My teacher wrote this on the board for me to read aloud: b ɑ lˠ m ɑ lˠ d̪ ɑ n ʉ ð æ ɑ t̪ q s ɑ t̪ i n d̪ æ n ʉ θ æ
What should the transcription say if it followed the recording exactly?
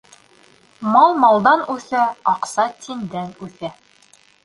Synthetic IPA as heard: m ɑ lˠ m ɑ lˠ d̪ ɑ n ʉ θ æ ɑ q s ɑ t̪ i n d̪ æ n ʉ θ æ